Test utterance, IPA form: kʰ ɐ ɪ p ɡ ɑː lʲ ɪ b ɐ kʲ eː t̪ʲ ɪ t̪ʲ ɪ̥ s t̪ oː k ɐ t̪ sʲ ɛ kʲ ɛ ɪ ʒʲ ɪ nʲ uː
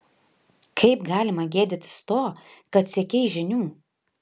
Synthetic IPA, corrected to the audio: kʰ ɐ ɪ p ɡ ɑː lʲ ɪ m ɐ ɡʲ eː d̪ʲ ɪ t̪ʲ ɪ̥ s t̪ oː k ɐ t̪ sʲ ɛ kʲ ɛ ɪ ʒʲ ɪ nʲ uː